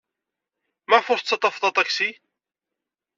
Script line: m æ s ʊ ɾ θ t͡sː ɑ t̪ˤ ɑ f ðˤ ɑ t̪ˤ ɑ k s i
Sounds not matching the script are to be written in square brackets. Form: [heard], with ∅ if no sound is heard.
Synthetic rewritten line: m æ [f] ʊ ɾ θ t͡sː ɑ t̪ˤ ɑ f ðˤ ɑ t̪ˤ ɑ k s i